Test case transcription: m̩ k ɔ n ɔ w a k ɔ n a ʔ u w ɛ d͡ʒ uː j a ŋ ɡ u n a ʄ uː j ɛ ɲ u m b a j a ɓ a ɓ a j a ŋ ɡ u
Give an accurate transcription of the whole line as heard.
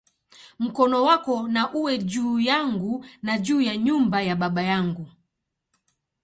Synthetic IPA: m̩ k ɔ n ɔ w a k ɔ n a ʔ u w ɛ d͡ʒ uː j a ŋ ɡ u n a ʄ uː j a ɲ u m b a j a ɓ a ɓ a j a ŋ ɡ u